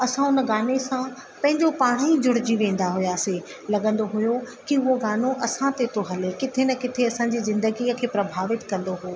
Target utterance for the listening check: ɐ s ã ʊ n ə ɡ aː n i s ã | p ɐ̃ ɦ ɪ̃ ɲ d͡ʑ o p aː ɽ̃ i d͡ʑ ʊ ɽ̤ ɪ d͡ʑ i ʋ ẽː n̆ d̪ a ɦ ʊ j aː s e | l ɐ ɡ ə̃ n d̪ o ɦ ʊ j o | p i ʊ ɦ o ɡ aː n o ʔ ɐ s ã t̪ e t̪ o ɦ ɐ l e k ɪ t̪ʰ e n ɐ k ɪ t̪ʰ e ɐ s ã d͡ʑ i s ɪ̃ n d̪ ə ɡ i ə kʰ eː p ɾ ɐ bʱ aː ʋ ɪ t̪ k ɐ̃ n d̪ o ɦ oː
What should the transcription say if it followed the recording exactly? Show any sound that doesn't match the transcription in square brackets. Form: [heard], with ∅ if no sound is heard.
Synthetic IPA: ɐ s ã ʊ n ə ɡ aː n [e] s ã | p ɐ̃ ɦ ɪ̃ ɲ d͡ʑ o p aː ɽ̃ i d͡ʑ ʊ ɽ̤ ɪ d͡ʑ i ʋ ẽː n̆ d̪ a ɦ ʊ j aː s e | l ɐ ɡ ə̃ n d̪ o ɦ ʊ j o | [k] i ʊ ɦ o ɡ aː n o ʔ ɐ s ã t̪ e t̪ o ɦ ɐ l e k ɪ t̪ʰ e n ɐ k ɪ t̪ʰ e ɐ s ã d͡ʑ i [z] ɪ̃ n d̪ ə ɡ i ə kʰ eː p ɾ ɐ bʱ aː ʋ ɪ t̪ k ɐ̃ n d̪ o ɦ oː